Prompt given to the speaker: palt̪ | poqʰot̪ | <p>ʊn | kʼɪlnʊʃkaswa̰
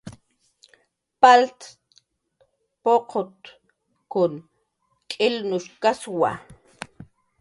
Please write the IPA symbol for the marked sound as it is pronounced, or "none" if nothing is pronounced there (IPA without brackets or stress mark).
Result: k